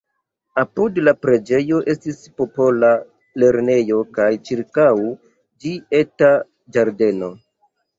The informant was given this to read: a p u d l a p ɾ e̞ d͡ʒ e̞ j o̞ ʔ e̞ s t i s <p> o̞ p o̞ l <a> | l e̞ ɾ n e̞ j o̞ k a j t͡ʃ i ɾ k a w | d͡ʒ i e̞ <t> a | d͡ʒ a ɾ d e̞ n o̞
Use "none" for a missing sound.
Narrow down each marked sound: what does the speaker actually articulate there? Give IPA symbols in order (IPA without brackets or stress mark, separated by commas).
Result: p, a, t